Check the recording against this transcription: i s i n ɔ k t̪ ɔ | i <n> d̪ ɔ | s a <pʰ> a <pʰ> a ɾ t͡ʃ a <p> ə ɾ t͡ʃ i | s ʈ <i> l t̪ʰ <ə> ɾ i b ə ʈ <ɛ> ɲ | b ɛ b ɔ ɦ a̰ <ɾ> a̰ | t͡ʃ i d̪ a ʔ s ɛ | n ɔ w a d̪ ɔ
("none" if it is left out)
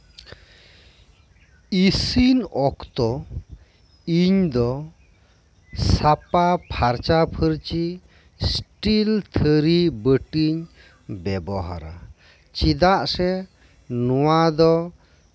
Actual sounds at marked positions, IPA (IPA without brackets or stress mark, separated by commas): ɲ, p, pʰ, pʰ, i, ə, i, ɾ